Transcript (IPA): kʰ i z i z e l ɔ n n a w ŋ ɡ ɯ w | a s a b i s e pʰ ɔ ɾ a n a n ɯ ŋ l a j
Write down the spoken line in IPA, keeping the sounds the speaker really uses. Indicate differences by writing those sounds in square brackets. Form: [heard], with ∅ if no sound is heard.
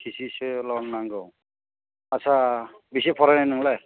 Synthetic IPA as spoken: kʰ i [s] i [s] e l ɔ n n a [∅] ŋ ɡ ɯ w | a s a b i s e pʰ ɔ ɾ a n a n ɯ ŋ l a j